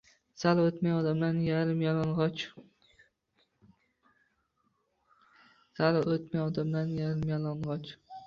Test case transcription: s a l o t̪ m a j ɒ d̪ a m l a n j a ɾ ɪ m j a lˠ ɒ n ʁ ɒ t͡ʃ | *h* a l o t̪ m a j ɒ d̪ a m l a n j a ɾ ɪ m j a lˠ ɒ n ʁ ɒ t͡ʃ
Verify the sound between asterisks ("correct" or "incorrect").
incorrect